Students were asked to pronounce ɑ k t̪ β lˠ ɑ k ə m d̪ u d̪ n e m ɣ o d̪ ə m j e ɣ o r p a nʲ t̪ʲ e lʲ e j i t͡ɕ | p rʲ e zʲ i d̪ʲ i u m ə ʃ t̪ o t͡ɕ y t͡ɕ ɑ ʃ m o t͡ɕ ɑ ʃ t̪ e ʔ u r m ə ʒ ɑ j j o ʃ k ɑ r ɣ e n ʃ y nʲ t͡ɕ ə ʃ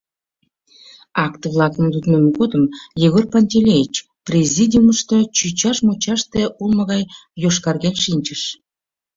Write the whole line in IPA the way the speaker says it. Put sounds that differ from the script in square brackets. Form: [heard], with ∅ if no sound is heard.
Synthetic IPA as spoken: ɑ k t̪ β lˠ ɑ k ə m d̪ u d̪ n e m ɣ o d̪ ə m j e ɣ o r p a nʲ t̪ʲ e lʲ e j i t͡ɕ | p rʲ e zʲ i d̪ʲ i u m ə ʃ t̪ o t͡ɕ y t͡ɕ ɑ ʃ m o t͡ɕ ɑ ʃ t̪ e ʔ u [l] m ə [ɣ] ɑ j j o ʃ k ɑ r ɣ e n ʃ [i] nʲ t͡ɕ ə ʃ

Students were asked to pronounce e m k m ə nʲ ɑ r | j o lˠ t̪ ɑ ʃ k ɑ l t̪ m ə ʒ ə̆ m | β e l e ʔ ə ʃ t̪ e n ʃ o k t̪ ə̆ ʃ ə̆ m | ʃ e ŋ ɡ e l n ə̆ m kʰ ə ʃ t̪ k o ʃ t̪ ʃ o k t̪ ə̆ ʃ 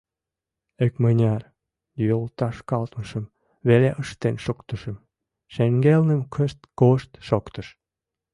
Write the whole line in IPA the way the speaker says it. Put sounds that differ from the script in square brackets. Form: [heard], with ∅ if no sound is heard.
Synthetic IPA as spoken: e [∅] k m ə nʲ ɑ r | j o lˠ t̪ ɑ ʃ k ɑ l t̪ m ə [ʃ] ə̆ m | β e l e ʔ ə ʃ t̪ e n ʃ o k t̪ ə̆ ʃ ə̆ m | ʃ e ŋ ɡ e l n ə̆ m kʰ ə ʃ t̪ k o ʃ t̪ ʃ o k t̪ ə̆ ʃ

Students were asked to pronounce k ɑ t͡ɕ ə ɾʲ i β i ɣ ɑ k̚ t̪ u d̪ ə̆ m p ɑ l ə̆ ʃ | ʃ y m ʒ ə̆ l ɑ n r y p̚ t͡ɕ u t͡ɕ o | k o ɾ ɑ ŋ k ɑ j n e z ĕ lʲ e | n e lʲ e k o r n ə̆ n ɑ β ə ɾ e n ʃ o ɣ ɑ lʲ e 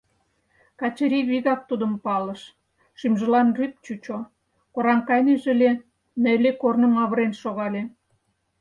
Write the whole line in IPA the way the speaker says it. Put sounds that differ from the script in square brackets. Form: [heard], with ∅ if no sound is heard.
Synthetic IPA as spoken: k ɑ t͡ɕ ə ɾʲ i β i ɣ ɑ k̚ t̪ u d̪ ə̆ m p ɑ l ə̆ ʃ | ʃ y m ʒ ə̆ l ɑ n r y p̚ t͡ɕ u t͡ɕ o | k o ɾ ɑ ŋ k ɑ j n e [ʒ] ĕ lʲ e | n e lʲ e k o r n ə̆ [m] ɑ β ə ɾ e n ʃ o ɣ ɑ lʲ e

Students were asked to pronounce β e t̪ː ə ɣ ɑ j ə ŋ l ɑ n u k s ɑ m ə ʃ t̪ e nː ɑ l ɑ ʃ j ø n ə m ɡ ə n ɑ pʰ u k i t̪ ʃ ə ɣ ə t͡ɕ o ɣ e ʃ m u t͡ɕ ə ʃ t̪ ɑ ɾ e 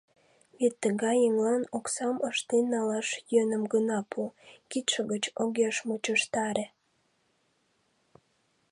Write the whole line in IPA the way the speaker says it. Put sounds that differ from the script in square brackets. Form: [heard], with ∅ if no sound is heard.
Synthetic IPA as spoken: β e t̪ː ə ɣ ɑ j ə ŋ l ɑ n [o] k s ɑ m ə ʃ t̪ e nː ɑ l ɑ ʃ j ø n ə m ɡ ə n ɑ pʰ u k i t̪ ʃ ə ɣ ə t͡ɕ o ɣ e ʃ m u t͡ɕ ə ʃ t̪ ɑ ɾ e

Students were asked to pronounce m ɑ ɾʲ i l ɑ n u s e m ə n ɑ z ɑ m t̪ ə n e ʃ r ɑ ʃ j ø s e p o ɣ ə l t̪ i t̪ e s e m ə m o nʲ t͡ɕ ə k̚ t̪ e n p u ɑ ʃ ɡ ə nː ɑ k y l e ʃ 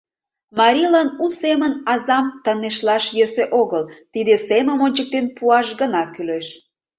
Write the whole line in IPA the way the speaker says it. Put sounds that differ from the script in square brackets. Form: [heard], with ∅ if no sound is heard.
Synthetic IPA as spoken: m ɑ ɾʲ i l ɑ n u s e m ə n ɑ z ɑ m t̪ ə n e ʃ [l] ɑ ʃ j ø s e [ʔ] o ɣ ə l t̪ i [d̪] e s e m ə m o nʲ t͡ɕ ə k̚ t̪ e n p u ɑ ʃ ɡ ə [n] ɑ k y l e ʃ

